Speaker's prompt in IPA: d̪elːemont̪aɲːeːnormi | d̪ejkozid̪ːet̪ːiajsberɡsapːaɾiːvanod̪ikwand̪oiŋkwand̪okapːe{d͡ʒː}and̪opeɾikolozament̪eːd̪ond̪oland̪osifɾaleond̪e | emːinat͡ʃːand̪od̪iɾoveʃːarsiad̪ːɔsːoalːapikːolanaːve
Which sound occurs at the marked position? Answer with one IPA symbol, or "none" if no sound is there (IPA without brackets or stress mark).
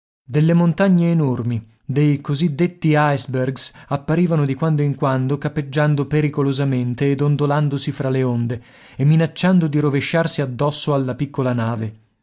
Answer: d͡ʒː